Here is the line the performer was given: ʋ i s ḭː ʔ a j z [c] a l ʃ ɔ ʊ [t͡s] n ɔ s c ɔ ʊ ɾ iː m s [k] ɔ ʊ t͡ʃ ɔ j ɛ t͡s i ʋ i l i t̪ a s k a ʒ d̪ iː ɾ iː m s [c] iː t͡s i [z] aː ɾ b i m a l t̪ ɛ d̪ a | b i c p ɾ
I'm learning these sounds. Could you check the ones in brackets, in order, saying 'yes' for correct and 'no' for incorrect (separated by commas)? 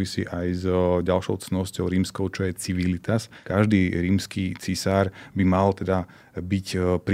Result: no, yes, yes, no, no